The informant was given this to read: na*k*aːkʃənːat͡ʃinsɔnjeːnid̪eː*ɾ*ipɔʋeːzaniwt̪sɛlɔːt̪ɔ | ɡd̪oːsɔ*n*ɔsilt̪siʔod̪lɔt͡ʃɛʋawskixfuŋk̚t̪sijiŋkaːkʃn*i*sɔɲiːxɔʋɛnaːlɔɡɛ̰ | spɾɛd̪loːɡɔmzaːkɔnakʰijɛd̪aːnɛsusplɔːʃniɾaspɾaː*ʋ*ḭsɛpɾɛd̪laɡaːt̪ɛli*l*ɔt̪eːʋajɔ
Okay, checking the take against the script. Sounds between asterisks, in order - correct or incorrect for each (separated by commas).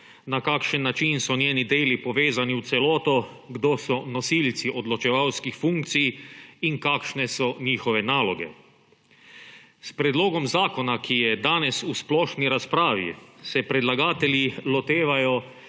correct, incorrect, correct, incorrect, correct, correct